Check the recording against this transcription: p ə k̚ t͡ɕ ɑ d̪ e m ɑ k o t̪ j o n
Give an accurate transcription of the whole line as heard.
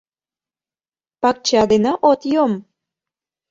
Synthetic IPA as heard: p ɑ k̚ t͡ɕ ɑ d̪ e n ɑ ʔ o t̪ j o m